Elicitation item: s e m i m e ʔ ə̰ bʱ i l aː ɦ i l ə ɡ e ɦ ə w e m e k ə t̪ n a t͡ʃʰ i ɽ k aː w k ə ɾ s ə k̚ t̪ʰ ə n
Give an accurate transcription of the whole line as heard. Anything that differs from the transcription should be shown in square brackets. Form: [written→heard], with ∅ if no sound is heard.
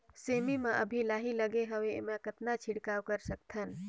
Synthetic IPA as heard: s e m i m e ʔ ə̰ bʱ i l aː ɦ i l ə ɡ e ɦ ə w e m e k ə t̪ n a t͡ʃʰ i ɽ k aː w k ə ɾ s ə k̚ t̪ʰ ə n